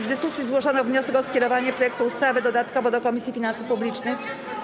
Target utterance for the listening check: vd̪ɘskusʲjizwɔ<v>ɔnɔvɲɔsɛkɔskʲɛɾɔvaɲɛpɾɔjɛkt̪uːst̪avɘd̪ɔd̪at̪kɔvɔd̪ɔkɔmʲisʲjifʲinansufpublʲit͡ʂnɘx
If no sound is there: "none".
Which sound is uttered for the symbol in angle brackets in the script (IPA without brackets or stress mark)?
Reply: ʐ